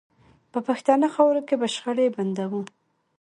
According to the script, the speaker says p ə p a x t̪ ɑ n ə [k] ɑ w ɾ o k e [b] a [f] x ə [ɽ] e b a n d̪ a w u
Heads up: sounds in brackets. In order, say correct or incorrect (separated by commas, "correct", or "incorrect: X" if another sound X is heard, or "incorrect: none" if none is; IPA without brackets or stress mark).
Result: incorrect: x, correct, incorrect: ʃ, correct